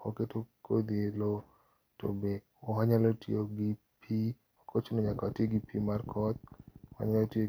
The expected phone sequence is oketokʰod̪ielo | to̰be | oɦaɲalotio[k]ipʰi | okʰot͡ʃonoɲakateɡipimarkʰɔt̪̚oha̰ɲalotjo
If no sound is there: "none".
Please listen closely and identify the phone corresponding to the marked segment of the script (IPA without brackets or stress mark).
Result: ɡ